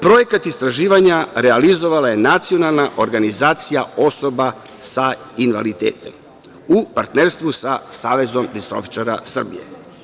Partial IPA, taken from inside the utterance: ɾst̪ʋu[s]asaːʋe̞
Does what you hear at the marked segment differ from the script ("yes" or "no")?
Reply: no